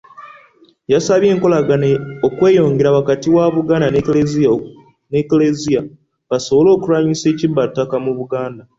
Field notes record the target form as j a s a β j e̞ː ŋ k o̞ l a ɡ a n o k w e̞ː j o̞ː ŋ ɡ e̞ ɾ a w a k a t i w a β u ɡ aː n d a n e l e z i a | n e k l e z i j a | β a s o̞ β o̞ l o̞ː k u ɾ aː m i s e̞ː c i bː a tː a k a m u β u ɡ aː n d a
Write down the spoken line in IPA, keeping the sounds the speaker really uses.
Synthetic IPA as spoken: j a s a β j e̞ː ŋ k o̞ l a ɡ a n o k w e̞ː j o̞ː ŋ ɡ e̞ ɾ a w a k a t i w a β u ɡ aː n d a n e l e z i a | n e k l e z i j a | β a s o̞ β o̞ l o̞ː k u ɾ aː ɲ i s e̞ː c i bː a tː a k a m u β u ɡ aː n d a

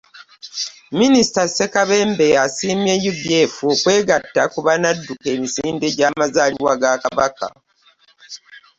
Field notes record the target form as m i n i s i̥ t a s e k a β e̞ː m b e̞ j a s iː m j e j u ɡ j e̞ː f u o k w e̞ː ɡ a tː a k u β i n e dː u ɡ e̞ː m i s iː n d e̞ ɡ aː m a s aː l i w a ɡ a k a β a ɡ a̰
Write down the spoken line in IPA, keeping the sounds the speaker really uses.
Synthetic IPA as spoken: m i n i s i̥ t a s e k a β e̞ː m b e̞ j a s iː m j e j u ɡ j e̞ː f u o k w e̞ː ɡ a tː a k u β a n a dː u k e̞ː m i s iː n d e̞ ɟ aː m a z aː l i w a ɡ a k a β a k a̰

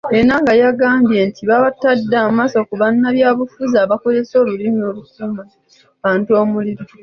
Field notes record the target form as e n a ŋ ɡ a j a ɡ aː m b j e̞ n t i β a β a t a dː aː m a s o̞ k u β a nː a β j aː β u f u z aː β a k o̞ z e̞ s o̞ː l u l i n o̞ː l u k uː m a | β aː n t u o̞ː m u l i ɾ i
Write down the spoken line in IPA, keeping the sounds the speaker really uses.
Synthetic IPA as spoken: e n a ŋ ɡ a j a ɡ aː m b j e̞ n t i β a β a t a dː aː m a s o̞ k u β a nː a β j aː β u f u z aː β a k o̞ z e̞ s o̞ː l u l i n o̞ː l u k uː m a | β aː n t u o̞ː m u l i ɾ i

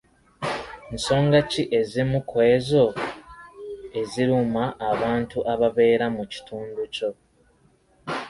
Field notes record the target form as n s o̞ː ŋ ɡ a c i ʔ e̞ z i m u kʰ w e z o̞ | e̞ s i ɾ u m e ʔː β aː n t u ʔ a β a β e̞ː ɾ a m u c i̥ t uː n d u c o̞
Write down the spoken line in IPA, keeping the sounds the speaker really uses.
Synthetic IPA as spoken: n s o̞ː ŋ ɡ a c i ʔ e̞ z i m u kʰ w e z o̞ | e̞ z i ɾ u m a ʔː β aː n t u ʔ a β a β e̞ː ɾ a m u c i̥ t uː n d u c o̞

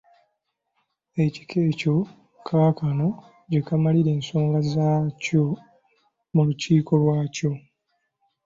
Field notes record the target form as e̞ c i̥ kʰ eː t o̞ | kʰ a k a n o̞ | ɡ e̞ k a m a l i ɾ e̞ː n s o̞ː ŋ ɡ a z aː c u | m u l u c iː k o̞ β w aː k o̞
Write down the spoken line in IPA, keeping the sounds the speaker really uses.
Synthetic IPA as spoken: e̞ c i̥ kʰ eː c o̞ | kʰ a k a n o̞ | ɟ e̞ k a m a l i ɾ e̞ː n s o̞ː ŋ ɡ a z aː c o | m u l u c iː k o̞ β w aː c o̞

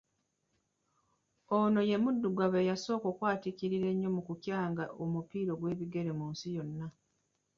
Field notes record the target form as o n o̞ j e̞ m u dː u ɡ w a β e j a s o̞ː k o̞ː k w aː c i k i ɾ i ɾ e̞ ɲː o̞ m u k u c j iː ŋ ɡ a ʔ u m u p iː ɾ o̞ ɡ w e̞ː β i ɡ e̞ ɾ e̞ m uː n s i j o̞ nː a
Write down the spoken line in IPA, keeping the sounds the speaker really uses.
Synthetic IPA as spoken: o n o̞ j e̞ m u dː u ɡ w a β e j a s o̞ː k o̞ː k w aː t i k i ɾ i ɾ e̞ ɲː o̞ m u k u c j aː ŋ ɡ a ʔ o m u p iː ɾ o̞ ɡ w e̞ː β i ɡ e̞ ɾ e̞ m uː n s i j o̞ nː a

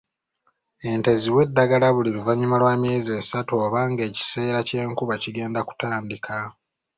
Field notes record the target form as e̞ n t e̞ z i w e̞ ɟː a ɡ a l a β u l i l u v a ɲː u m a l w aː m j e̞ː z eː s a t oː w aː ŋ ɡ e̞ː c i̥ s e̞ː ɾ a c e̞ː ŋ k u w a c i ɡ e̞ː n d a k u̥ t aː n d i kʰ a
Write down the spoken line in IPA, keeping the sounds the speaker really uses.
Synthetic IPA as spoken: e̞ n t e̞ z i w e̞ dː a ɡ a l a β u l i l u v a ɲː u m a l w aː m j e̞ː z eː s a t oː β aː ŋ ɡ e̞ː c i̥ s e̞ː ɾ a c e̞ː ŋ k u β a c i ɡ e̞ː n d a k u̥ t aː n d i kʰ a

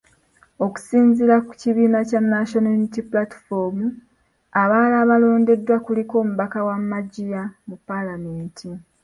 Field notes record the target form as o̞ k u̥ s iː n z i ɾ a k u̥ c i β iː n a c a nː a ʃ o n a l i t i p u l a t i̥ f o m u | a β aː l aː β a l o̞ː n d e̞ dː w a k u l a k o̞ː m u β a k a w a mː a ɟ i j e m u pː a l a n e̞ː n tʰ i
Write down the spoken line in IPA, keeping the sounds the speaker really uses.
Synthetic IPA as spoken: o̞ k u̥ s iː n z i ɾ a k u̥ c i β iː n a c a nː a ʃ o n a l i t i p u l a t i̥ f o m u | a β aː l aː β a l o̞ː n d e̞ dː w a k u l i k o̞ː m u β a k a w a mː a ɟ i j a m u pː a l a m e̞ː n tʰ i

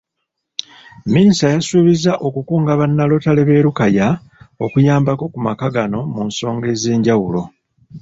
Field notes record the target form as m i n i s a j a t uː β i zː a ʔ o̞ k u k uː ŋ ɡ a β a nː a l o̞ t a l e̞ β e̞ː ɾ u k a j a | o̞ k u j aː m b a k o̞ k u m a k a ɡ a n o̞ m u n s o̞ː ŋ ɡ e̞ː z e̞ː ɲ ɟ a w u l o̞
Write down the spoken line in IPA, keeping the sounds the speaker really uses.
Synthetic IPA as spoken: m i n i s a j a s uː β i z a ʔ o̞ k u k uː ŋ ɡ a β a nː a l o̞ t a l e̞ β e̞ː ɾ u k a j a | o̞ k u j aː m b a k o̞ k u m a k a ɡ a n o̞ m u n s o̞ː ŋ ɡ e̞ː z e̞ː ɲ ɟ a w u l o̞

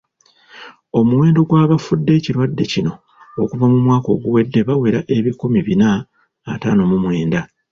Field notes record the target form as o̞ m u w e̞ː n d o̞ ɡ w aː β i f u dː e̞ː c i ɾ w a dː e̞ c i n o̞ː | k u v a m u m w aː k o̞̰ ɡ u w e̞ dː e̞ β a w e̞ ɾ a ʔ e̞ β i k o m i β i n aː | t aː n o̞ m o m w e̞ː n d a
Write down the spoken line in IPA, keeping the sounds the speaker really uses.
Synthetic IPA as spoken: o̞ m u w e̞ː n d o̞ ɡ w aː β a f u dː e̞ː c i ɾ w a dː e̞ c i n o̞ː | k u v a m u m w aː k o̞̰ ɡ u w e̞ dː e̞ β a w e̞ ɾ a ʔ e̞ β i k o m i β i n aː | t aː n o̞ m u m w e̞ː n d a

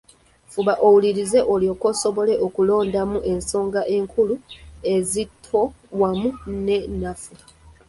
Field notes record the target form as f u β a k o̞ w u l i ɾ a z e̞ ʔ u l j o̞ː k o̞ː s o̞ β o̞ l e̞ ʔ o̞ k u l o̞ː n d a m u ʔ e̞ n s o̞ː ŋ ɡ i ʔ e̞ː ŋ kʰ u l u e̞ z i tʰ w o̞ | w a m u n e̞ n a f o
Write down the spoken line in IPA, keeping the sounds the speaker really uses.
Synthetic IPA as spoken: f u β a ʔ o̞ w u l i ɾ i z e̞ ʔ o l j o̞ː k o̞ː s o̞ β o̞ l e̞ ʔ o̞ k u l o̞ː n d a m u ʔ e̞ n s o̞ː ŋ ɡ a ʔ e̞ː ŋ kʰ u l u e̞ z i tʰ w o̞ | w a m u n e̞ n a f u

